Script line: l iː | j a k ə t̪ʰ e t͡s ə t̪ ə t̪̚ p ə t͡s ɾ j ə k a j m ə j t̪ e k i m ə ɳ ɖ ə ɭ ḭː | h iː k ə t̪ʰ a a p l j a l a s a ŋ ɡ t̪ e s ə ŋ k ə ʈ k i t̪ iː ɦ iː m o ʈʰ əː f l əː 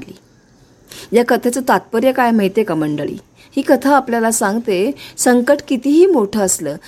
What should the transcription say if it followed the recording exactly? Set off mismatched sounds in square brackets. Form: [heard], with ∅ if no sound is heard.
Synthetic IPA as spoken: l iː | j a k ə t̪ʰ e t͡s ə t̪ [a] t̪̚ p ə [∅] ɾ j ə k a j m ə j t̪ e k [a] m ə ɳ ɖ ə ɭ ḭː | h iː k ə t̪ʰ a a p l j a l a s a ŋ ɡ t̪ e s ə ŋ k ə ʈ k i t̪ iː ɦ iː m o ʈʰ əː [s] l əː